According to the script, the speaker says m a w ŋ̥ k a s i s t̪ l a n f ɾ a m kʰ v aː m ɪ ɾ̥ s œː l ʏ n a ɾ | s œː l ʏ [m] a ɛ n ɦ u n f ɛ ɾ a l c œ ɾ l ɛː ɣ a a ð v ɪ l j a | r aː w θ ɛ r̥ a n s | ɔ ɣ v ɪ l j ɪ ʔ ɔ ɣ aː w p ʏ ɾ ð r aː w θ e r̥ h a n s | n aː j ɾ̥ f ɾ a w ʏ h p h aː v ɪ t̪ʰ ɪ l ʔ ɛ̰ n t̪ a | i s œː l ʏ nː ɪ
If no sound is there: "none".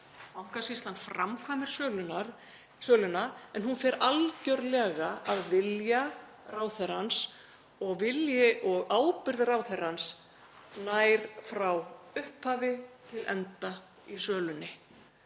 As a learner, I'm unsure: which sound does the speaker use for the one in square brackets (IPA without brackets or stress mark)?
n